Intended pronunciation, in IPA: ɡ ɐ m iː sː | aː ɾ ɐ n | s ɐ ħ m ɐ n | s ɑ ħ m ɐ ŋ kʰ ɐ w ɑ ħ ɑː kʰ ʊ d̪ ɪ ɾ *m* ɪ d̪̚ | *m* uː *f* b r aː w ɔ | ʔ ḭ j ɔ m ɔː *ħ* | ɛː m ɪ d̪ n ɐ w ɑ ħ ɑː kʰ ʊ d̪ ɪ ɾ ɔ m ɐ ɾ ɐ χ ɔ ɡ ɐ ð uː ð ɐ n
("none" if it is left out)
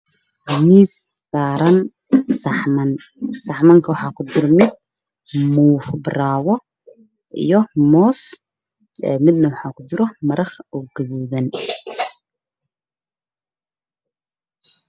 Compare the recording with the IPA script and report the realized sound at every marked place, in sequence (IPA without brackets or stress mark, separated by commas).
m, m, f, s